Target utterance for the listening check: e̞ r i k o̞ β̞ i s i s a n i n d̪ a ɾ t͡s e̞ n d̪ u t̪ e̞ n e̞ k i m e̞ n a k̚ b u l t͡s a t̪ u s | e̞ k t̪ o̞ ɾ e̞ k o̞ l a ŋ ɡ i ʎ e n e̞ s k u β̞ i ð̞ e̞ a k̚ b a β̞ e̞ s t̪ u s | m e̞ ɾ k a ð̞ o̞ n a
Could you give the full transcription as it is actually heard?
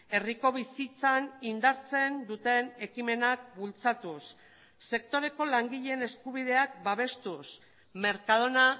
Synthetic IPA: e̞ r i k o̞ β̞ i s i t͡s a n i n d̪ a ɾ t͡s e̞ n d̪ u t̪ e̞ n e̞ k i m e̞ n a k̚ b u l t͡s a t̪ u sː | e̞ k t̪ o̞ ɾ e̞ k o̞ l a ŋ ɡ i ʎ e n e̞ s k u β̞ i ð̞ e̞ a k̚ b a β̞ e̞ s t̪ u s | m e̞ ɾ k a ð̞ o̞ n a